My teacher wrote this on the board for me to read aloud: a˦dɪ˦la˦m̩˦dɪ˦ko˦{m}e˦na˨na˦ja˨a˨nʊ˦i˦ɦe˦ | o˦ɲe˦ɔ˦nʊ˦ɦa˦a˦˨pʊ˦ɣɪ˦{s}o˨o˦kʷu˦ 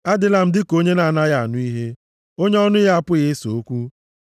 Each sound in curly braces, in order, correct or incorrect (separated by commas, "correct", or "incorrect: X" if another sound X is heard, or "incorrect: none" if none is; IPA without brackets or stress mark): incorrect: ɲ, correct